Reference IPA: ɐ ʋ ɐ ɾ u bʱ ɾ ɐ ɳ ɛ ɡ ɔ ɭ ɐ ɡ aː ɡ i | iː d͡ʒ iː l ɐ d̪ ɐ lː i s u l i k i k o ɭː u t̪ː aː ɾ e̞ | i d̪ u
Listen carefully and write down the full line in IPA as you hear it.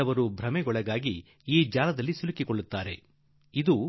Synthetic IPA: ɐ ʋ ɐ ɾ u bʱ ɾ ɐ m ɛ ɡ ɔ ɭ ɐ ɡ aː ɡ i | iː d͡ʒ aː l ɐ d̪ ɐ lː i s u l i k i k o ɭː u t̪ː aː ɾ e̞ | i d̪ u

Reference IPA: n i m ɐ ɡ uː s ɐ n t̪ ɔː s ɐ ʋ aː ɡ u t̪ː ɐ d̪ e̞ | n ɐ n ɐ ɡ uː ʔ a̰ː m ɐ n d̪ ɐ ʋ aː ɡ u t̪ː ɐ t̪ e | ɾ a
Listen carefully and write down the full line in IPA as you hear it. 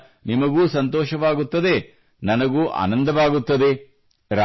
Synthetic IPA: n i m ɐ ɡ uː s ɐ n t̪ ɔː ʃ ɐ ʋ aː ɡ u t̪ː ɐ d̪ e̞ | n ɐ n ɐ ɡ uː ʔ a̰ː n ɐ n d̪ ɐ ʋ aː ɡ u t̪ː ɐ d̪ e | ɾ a

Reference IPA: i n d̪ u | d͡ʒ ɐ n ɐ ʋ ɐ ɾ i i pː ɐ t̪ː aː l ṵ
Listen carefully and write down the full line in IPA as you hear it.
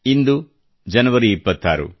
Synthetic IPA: i n d̪ u | d͡ʒ ɐ n ɐ ʋ ɐ ɾ i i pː ɐ t̪ː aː ɾ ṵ

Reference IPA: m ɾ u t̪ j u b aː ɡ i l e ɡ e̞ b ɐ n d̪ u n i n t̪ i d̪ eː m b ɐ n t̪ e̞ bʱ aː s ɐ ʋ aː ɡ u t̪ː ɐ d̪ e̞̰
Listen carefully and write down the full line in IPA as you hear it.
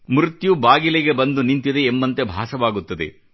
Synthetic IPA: m ɾ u t̪ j u b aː ɡ i l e ɡ e̞ b ɐ n d̪ u n i n t̪ i d̪ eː m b ɐ n t̪ e̞ bʱ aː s ɐ ʋ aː ɡ u t̪ː ɐ d̪ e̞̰

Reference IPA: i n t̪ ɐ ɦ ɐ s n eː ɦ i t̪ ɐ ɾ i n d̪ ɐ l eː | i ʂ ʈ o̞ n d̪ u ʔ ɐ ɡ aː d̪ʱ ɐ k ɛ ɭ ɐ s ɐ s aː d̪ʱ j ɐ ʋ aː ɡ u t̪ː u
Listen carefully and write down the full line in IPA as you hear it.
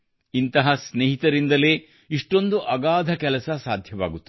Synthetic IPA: i n t̪ ɐ ɦ ɐ s n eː ɦ i t̪ ɐ ɾ i n d̪ ɐ l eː | i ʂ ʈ o̞ n d̪ u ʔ ɐ ɡ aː d̪ʱ ɐ k ɛ l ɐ s ɐ s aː d̪ʱ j ɐ ʋ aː ɡ u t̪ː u

